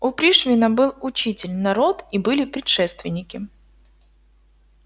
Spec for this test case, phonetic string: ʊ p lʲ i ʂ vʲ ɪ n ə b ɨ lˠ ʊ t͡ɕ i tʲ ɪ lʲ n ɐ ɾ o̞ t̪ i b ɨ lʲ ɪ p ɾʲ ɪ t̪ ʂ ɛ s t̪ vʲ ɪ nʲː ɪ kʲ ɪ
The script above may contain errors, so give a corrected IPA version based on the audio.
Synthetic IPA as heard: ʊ p ɾʲ i ʂ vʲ ɪ n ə b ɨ lˠ ʊ t͡ɕ i tʲ ɪ lʲ n ɐ ɾ o̞ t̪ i b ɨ lʲ ɪ p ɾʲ ɪ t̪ ʂ ɛ s t̪ vʲ ɪ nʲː ɪ kʲ ɪ

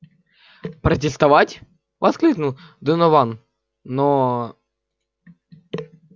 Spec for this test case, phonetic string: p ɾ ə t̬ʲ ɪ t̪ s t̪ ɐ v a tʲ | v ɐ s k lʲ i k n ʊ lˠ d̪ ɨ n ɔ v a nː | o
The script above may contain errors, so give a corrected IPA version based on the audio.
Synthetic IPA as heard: p ɾ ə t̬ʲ ɪ s t̪ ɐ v a tʲ | v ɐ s k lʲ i k n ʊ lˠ d̪ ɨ n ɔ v a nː | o

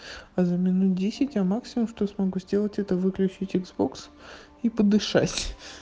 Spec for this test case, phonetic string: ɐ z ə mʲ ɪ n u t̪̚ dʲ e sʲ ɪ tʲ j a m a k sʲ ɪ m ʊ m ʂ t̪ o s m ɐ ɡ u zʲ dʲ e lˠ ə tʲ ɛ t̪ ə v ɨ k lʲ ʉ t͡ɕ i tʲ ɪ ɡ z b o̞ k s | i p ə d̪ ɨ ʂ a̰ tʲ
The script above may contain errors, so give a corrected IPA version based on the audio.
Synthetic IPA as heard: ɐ z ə mʲ ɪ n u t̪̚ dʲ e sʲ ɪ tʲ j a m a k sʲ ɪ m ʊ m ʂ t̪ o s m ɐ ɡ u zʲ dʲ e lˠ ə tʲ ɛ t̪ ə v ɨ k lʲ ʉ t͡ɕ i tʲ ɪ ɡ z b o̞ k s | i p ə d̪ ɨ ʂ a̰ tʲ

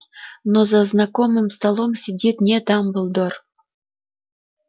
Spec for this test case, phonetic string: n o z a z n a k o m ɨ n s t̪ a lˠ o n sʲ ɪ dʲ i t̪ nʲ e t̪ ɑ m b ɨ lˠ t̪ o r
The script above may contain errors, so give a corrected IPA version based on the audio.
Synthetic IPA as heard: n o z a z n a k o m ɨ m s t̪ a lˠ o m sʲ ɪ dʲ i t̪ nʲ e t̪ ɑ m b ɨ lˠ d̪ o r

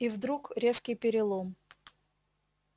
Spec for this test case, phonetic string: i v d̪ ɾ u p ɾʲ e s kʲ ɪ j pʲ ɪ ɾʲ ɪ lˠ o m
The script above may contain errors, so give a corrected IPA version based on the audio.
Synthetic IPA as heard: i v d̪ ɾ u k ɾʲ e s kʲ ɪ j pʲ ɪ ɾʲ ɪ lˠ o m

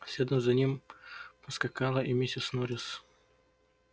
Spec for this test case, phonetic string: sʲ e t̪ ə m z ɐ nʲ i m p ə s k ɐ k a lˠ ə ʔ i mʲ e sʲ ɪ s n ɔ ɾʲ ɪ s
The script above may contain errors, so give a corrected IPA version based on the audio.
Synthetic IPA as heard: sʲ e d̪ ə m z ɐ nʲ i m p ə s k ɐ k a lˠ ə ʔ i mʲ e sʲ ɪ s n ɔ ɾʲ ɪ s

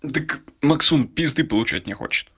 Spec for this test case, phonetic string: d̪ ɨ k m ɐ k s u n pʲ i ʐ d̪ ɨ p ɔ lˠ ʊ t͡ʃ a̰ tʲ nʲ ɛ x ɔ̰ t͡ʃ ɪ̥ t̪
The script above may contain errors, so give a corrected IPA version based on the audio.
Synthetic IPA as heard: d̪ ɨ k m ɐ k s u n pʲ i z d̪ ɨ p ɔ lˠ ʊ t͡ʃ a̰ tʲ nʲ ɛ x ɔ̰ t͡ʃ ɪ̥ t̪

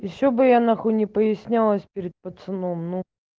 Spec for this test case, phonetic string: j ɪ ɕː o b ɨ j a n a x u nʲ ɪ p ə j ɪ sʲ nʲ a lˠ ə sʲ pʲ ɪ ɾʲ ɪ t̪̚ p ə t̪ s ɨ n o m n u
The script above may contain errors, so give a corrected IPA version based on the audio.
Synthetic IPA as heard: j ɪ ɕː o b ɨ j a n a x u nʲ ɪ p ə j ɪ sʲ nʲ a lˠ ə sʲ pʲ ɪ ɾʲ ɪ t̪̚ p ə t̪ s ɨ n o m n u

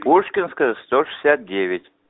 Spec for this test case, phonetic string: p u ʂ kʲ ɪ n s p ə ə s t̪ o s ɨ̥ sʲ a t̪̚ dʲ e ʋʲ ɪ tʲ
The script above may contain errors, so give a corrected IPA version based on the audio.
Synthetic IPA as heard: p u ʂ kʲ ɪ n s k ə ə s t̪ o ʂ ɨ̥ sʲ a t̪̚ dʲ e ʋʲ ɪ tʲ

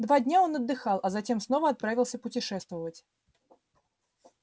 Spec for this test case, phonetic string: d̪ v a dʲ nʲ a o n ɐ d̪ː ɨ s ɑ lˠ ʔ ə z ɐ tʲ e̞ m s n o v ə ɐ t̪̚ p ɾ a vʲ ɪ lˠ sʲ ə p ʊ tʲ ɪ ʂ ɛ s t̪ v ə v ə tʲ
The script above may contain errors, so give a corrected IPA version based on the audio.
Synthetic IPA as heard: d̪ v a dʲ nʲ a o n ɐ d̪ː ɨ x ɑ lˠ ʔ ɐ z ɐ tʲ e̞ m s n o v ə ɐ t̪̚ p ɾ a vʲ ɪ lˠ sʲ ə p ʊ tʲ ɪ ʂ ɛ s t̪ v ə v ə tʲ

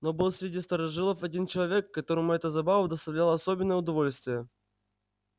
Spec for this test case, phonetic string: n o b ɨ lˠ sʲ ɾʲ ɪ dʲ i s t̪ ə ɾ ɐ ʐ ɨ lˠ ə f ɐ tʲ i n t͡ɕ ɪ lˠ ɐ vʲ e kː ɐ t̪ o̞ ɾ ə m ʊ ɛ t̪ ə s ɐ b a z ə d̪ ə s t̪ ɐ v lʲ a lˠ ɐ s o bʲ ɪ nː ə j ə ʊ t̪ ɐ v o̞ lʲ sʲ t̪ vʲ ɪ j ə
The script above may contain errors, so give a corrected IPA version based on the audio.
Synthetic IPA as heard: n o b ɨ lˠ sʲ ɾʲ ɪ dʲ i s t̪ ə ɾ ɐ ʐ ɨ lˠ ə f ɐ dʲ i n t͡ɕ ɪ lˠ ɐ vʲ e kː ɐ t̪ o̞ ɾ ə m ʊ ɛ t̪ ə z ɐ b a v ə d̪ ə s t̪ ɐ v lʲ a lˠ ɐ s o bʲ ɪ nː ə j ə ʊ d̪ ɐ v o̞ lʲ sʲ t̪ vʲ ɪ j ə

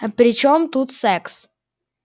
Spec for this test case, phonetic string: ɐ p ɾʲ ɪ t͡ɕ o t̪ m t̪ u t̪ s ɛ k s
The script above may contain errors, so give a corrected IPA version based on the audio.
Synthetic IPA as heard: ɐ p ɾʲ ɪ t͡ɕ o m t̪ u t̪ s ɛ k s

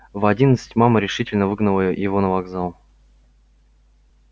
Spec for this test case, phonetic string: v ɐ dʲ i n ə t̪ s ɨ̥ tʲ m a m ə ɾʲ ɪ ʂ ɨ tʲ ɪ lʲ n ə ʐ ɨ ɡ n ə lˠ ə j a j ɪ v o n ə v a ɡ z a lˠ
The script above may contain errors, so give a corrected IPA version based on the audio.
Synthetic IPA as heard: v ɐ dʲ i n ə t̪ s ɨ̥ tʲ m a m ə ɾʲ ɪ ʂ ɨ tʲ ɪ lʲ n ə v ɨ ɡ n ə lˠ ə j ə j ɪ v o n ə v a ɡ z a lˠ

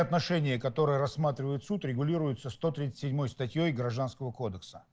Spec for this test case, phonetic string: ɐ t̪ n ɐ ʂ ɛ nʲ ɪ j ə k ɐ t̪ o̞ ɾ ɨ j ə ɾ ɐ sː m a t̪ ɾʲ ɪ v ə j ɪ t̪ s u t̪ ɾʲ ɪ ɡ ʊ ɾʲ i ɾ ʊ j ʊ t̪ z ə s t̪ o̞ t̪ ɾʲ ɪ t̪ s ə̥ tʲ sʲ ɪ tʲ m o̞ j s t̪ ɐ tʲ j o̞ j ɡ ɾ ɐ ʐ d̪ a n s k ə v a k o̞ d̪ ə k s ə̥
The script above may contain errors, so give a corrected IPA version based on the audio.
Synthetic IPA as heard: ɐ t̪ n ɐ ʂ ɛ nʲ ɪ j ə k ɐ t̪ o̞ ɾ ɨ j ə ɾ ɐ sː m a t̪ ɾʲ ɪ v ə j ɪ t̪ s u t̪ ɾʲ ɪ ɡ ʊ lʲ i ɾ ʊ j ʊ t̪ s ə s t̪ o̞ t̪ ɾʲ i t̪ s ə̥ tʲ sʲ ɪ dʲ m o̞ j s t̪ ɐ tʲ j o̞ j ɡ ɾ ɐ ʐ d̪ a n s k ə v ə k o̞ d̪ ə k s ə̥

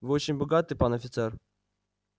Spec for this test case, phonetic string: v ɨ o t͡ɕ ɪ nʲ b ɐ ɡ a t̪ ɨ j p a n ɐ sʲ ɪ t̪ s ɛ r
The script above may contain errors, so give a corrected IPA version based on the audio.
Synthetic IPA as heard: v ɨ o t͡ɕ ɪ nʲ b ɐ ɡ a t̪ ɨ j p a n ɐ fʲ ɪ t̪ s ɛ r

